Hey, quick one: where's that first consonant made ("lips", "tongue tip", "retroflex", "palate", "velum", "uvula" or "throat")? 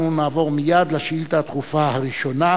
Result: tongue tip